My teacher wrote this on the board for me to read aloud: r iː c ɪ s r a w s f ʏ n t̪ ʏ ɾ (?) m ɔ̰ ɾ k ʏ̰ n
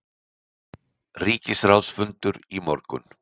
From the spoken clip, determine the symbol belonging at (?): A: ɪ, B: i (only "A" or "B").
B